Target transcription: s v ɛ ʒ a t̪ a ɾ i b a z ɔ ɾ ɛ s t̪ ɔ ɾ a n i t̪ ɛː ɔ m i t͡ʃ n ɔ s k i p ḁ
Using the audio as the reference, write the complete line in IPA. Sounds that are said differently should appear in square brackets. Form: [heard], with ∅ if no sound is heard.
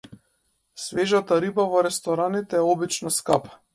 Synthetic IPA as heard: s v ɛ ʒ a t̪ a ɾ i b a [v] ɔ ɾ ɛ s t̪ ɔ ɾ a n i t̪ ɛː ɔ [b] i t͡ʃ n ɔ s k [a] p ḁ